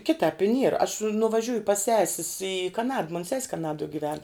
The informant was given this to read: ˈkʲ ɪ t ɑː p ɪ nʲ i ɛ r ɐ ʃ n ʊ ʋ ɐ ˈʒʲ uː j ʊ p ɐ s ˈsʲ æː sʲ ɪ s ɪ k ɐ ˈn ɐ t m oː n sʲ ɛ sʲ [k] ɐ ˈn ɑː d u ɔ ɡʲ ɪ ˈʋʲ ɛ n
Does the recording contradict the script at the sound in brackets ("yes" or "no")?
no